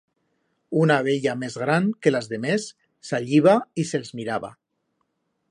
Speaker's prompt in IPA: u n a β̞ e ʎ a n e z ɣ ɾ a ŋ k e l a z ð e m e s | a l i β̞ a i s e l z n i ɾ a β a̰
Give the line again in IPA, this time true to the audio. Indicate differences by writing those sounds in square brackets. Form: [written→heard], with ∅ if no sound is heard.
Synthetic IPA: u n a β̞ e ʎ a [n→m] e z ɣ ɾ a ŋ k e l a z ð e m e [s→sː] | a [l→ʎ] i β̞ a i s e l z [n→m] i ɾ a β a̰